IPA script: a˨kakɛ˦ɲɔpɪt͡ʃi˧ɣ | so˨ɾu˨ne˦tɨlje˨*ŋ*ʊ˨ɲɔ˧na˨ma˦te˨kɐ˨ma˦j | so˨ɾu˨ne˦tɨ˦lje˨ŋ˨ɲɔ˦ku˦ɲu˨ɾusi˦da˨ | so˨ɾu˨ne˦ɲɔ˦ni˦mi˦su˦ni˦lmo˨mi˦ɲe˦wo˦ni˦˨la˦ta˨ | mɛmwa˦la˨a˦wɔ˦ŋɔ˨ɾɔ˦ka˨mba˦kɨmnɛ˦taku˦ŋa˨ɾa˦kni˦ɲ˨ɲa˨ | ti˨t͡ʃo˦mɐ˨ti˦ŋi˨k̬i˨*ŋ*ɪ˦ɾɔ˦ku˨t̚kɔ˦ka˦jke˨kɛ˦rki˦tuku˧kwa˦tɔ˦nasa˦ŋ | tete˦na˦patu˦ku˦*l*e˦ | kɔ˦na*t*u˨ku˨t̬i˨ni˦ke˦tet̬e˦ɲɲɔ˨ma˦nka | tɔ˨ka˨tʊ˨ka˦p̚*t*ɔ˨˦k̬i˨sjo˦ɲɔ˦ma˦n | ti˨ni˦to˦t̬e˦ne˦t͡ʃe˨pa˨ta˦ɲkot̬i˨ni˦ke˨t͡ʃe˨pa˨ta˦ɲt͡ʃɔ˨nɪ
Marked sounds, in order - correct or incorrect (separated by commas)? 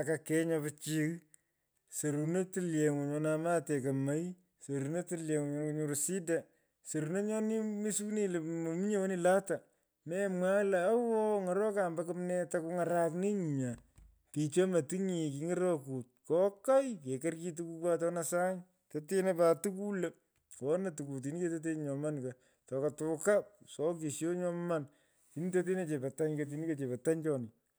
correct, correct, correct, correct, incorrect